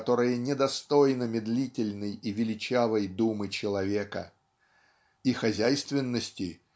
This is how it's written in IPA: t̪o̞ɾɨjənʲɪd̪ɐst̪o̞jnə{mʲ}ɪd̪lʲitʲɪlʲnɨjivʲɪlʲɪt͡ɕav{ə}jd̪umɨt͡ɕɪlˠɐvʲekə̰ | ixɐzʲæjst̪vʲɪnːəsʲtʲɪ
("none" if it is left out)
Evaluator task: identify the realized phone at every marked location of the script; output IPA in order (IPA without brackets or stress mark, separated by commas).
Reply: mʲ, ə